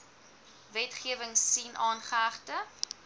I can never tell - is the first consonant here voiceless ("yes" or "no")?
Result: no